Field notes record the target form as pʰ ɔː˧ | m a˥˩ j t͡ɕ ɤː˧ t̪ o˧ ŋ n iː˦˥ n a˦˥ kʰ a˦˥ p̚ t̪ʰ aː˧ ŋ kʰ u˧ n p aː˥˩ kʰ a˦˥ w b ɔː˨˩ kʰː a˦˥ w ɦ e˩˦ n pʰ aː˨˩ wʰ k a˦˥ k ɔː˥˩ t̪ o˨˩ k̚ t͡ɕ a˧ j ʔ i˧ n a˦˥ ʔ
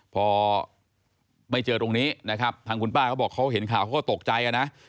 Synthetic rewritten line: pʰ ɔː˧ | m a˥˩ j t͡ɕ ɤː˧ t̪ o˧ ŋ n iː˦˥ n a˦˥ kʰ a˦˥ p̚ t̪ʰ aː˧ ŋ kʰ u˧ n p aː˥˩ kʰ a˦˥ w b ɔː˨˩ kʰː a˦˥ w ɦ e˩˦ n kʰ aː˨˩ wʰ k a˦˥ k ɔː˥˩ t̪ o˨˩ k̚ t͡ɕ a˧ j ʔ a˧ n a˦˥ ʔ

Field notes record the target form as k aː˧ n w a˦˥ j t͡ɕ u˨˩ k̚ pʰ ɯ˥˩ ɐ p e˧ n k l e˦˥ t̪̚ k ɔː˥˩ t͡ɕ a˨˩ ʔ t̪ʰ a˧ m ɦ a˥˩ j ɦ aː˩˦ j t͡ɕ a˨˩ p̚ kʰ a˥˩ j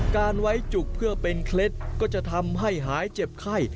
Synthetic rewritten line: k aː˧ n w a˦˥ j t͡ɕ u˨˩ k̚ pʰ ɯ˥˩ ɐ p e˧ n kʰ l e˦˥ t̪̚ k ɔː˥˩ t͡ɕ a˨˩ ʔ t̪ʰ a˧ m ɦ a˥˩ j ɦ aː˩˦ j t͡ɕ e˨˩ p̚ kʰ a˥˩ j

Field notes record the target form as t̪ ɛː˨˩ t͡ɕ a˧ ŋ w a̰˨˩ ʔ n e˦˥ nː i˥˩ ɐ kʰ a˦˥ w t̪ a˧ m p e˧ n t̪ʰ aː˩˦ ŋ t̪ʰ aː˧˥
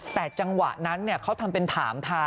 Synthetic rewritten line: t̪ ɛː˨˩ t͡ɕ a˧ ŋ w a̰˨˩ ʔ n a˦˥ nː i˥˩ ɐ kʰ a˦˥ w t̪ʰ a˧ m p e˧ n t̪ʰ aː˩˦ m t̪ʰ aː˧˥

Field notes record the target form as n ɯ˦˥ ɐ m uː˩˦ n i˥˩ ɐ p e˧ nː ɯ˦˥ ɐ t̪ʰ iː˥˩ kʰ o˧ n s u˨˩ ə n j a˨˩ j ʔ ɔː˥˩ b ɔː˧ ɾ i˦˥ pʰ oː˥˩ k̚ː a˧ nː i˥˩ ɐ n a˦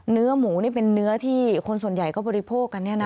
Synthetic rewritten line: n ɯ˦˥ ɐ m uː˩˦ n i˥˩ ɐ p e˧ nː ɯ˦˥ ɐ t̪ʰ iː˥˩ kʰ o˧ n s u˨˩ ə n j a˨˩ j k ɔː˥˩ b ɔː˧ ɾ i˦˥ pʰ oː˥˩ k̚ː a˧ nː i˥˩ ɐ n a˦

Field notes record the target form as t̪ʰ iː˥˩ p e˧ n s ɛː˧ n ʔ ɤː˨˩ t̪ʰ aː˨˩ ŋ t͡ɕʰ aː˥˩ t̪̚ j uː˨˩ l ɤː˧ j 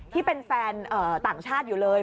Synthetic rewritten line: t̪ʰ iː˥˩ p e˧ n f ɛː˧ n ʔ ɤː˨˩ t̪ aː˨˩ ŋ t͡ɕʰ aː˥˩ t̪̚ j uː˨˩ l ɤː˧ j

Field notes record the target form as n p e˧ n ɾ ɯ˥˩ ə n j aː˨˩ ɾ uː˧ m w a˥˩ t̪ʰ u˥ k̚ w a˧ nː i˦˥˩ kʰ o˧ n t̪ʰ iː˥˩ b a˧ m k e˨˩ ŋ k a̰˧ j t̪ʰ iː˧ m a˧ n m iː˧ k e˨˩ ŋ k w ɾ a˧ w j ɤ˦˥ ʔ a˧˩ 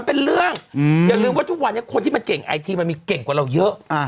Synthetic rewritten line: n p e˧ n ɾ ɯ˥˩ ə ŋ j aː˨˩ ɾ ɯː˧ m w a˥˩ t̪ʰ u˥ k̚ w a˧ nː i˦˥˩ kʰ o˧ n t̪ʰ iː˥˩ m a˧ n k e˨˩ ŋ ʔ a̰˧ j t̪ʰ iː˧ m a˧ n m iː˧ k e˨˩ ŋ k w ɾ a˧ w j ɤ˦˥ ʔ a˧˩

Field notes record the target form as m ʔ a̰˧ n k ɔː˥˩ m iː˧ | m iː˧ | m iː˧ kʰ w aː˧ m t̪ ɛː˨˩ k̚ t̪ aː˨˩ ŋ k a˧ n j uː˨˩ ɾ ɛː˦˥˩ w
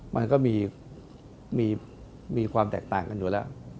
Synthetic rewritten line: m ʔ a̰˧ n k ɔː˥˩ m iː˧ | m iː˧ | m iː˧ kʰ w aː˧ m t̪ ɛː˨˩ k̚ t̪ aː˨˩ ŋ k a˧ n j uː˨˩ l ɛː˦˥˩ w

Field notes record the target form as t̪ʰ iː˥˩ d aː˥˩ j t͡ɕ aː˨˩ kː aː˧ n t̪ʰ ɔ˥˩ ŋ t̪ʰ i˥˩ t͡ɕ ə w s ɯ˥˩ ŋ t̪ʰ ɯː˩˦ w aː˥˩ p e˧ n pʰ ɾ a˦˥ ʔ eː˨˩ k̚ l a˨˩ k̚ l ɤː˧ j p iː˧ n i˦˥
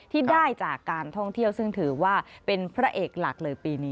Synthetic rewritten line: t̪ʰ iː˥˩ d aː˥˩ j t͡ɕ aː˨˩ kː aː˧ n t̪ʰ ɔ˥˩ ŋ t̪ʰ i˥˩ ə w s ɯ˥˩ ŋ t̪ʰ ɯː˩˦ w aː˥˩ p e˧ n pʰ ɾ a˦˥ ʔ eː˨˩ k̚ l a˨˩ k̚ l ɤː˧ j p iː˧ n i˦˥

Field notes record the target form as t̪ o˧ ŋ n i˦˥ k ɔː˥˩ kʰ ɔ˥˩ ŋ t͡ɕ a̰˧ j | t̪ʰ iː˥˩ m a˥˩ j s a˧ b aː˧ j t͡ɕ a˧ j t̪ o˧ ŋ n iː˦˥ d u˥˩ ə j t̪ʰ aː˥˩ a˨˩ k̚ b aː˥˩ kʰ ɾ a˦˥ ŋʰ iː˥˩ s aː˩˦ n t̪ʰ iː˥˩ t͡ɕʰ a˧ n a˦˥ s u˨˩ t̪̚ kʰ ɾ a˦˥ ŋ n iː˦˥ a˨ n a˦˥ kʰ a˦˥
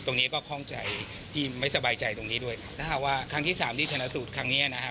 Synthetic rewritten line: t̪ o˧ ŋ n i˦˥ k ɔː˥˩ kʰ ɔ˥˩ ŋ t͡ɕ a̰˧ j | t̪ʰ iː˥˩ m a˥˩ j s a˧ b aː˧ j t͡ɕ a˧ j t̪ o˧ ŋ n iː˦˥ d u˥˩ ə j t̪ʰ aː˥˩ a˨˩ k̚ w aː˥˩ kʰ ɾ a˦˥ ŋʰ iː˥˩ s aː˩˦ m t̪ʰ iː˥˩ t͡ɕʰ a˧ n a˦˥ s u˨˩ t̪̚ kʰ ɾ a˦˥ ŋ n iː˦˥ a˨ n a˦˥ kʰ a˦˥

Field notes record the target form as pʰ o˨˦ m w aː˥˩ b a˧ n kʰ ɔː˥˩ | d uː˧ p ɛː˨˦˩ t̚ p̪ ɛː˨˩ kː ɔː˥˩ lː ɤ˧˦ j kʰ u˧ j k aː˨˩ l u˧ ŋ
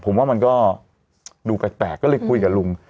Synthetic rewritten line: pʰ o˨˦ m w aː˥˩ m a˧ n k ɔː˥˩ | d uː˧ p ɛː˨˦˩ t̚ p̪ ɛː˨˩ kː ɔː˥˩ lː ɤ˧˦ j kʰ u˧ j k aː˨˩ l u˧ ŋ

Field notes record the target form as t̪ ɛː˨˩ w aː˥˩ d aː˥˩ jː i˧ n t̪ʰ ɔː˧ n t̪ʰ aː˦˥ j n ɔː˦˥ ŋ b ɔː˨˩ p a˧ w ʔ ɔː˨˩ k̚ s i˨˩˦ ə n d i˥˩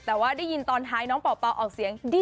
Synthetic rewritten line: t̪ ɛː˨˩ w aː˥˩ d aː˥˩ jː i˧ n t̪ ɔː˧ n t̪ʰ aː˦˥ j n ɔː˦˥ ŋ p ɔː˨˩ p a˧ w ʔ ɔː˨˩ k̚ s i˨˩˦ ə ŋ d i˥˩

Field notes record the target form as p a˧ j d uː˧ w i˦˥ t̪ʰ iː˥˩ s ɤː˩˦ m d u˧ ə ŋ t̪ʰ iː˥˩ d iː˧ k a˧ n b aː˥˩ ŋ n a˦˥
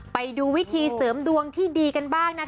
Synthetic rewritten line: p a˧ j d uː˧ w i˦˥ t̪ʰ iː˧ s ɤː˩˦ m d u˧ ə ŋ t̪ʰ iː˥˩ d iː˧ k a˧ n b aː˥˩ ŋ n a˦˥

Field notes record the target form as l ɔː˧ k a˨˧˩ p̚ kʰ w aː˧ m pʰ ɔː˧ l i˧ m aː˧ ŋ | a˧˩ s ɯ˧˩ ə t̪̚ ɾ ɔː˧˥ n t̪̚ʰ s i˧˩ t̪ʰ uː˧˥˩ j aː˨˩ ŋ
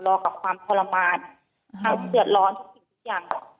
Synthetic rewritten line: l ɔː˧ k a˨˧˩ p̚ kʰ w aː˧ m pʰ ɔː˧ l a˧ m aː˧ n | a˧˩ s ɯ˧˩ ə t̪̚ l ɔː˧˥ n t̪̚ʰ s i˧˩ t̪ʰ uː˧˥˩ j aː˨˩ ŋ

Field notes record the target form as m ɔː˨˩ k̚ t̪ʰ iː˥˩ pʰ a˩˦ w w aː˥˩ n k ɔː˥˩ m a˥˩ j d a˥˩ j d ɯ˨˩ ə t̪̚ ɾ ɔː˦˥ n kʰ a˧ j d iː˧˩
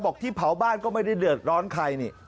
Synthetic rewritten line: b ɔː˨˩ k̚ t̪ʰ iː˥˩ pʰ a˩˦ w b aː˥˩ n k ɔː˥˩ m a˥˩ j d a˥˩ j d ɯ˨˩ ə t̪̚ ɾ ɔː˦˥ n kʰ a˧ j n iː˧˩

